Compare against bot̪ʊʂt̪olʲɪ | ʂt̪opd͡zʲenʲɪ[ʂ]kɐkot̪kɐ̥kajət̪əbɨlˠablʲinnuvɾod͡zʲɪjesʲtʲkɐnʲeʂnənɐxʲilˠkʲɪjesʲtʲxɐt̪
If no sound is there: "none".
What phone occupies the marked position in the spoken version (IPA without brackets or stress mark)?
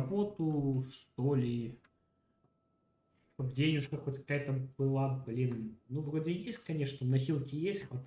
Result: ʂ